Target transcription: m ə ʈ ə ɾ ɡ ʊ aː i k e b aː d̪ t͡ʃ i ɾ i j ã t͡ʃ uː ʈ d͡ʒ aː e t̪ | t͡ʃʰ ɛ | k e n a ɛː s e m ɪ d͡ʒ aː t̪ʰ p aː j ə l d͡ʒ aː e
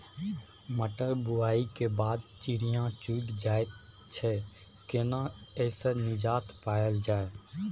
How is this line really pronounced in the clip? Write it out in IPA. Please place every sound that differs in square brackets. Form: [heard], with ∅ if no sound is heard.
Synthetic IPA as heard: m ə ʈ ə ɾ [b] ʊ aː i k e b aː d̪ t͡ʃ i ɾ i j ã t͡ʃ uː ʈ d͡ʒ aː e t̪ | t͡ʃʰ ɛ | k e n a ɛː s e [n] ɪ d͡ʒ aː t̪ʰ p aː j ə l d͡ʒ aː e